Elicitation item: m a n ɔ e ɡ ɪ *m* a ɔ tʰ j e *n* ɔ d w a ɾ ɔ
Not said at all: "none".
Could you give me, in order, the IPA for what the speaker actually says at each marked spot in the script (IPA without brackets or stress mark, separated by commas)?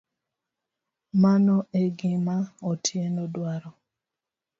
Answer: m, n